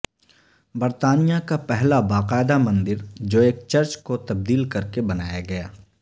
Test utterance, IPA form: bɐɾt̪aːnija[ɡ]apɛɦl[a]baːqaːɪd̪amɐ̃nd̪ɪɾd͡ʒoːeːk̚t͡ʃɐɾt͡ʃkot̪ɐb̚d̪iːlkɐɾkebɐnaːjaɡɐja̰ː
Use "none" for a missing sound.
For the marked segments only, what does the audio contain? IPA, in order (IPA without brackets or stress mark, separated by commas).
k, a